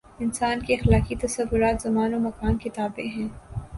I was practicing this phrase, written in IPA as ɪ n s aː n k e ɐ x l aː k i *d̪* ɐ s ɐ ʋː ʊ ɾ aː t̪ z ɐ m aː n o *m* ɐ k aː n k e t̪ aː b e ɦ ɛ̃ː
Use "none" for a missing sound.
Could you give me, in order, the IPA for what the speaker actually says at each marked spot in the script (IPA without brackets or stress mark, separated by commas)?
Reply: t̪, m